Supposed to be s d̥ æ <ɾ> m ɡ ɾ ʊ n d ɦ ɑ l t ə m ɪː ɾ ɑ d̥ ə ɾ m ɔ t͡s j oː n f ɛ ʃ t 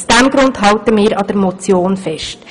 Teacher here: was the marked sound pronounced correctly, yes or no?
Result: no